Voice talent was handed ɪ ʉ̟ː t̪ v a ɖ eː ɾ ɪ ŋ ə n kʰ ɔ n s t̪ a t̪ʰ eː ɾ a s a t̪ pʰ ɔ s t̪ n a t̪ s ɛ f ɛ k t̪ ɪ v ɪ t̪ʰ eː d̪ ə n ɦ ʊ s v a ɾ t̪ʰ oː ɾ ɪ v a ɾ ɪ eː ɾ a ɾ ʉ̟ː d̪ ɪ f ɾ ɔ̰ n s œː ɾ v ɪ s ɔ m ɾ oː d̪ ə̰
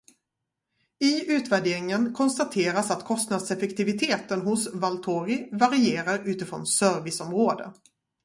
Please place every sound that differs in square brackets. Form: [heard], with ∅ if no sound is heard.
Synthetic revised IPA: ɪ ʉ̟ː t̪ v [æ] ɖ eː ɾ ɪ ŋ ə n kʰ ɔ n s t̪ a t̪ʰ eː ɾ a s a t̪ [kʰ] ɔ s t̪ n a [d̪] s ɛ f ɛ k t̪ ɪ v ɪ t̪ʰ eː [t̪] ə n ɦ ʊ s v a [l] t̪ʰ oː ɾ ɪ v a ɾ ɪ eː ɾ a ɾ ʉ̟ː [t̪] ɪ f ɾ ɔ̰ n s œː ɾ v ɪ s ɔ m ɾ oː d̪ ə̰